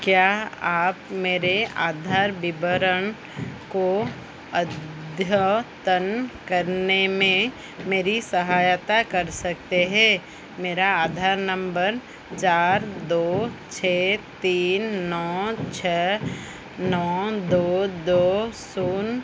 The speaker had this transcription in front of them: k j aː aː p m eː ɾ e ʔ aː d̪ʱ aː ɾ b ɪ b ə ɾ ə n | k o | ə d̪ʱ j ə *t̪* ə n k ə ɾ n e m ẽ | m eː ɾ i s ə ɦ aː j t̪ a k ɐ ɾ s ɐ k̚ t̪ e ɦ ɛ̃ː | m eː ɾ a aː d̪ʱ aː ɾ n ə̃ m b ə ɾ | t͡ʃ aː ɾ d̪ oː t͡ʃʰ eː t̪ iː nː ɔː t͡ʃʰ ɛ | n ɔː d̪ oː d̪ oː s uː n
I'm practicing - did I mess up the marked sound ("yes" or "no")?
no